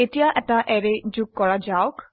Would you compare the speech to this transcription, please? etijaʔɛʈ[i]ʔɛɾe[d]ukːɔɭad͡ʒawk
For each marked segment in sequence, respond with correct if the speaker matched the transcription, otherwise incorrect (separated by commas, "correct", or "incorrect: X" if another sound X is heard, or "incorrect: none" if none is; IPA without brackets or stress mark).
incorrect: a, incorrect: d͡ʒ